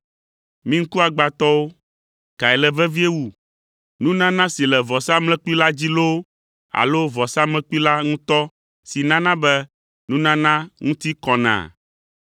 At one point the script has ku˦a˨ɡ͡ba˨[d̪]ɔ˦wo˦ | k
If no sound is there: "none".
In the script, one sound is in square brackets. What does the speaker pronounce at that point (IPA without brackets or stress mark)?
t̪